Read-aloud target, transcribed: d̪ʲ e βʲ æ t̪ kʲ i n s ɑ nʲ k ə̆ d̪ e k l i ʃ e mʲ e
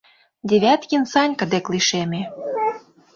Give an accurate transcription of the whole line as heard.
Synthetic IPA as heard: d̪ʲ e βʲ æ t̪ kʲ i n s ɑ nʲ k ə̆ d̪ e k l i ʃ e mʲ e